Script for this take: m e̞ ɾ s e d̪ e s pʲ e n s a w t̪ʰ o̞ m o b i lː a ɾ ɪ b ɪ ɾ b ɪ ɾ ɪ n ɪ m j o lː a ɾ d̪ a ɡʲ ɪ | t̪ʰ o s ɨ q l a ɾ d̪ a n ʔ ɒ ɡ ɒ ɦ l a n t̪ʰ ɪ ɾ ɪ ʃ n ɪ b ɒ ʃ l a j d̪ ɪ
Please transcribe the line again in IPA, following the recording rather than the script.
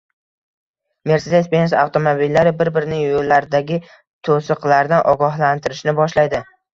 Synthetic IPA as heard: m e̞ ɾ s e d̪ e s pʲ e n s a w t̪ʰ o̞ m o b i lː a ɾ ɪ b ɪ ɾ b ɪ ɾ ɪ n ɪ ŋ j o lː a ɾ d̪ a ɡʲ ɪ | t̪ʰ o s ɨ q l a ɾ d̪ a n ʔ ɒ ɡ ɒ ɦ l a n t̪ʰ ɪ ɾ ɪ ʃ n ɪ b ɒ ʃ l a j d̪ ɪ